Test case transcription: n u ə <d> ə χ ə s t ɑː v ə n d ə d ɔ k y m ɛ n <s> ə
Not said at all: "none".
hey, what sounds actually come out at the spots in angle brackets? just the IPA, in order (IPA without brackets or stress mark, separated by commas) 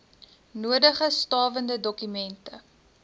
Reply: d, t